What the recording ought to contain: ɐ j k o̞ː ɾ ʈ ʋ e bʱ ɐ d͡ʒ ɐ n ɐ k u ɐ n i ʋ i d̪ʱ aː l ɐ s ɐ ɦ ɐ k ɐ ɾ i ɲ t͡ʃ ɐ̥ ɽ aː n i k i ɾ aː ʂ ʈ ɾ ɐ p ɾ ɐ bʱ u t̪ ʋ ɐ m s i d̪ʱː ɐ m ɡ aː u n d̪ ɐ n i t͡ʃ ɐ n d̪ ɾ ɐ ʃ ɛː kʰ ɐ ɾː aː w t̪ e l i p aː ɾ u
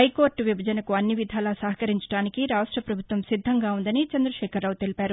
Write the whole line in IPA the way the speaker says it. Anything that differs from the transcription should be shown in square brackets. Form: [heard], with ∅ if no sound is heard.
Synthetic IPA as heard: ɐ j k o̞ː ɾ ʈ ʋ [i] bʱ ɐ d͡ʒ ɐ n ɐ k u ɐ [nː] i ʋ i d̪ʱ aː l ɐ s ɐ ɦ ɐ k ɐ ɾ i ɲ t͡ʃ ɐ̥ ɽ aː n i k i ɾ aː ʂ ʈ ɾ ɐ p ɾ ɐ bʱ u t̪ ʋ ɐ m s i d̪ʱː ɐ [ŋ] ɡ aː u n d̪ ɐ n i t͡ʃ ɐ n d̪ ɾ ɐ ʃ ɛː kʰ ɐ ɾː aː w t̪ e l i p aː ɾ u